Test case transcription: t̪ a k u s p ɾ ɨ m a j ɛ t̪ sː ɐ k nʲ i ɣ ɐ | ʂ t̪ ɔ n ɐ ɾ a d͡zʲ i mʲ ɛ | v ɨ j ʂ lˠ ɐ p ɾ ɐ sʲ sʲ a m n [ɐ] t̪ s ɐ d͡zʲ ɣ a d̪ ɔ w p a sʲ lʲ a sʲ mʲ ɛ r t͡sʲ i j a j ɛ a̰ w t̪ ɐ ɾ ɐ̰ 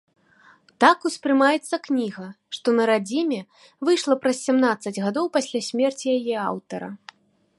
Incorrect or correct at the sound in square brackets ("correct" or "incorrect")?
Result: incorrect